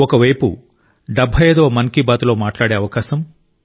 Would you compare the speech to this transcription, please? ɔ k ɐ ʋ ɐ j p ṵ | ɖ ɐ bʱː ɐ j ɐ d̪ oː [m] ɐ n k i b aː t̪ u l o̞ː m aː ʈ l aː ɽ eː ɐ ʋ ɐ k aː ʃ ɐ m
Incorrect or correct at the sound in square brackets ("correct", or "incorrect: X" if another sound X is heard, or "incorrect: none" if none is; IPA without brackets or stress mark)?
correct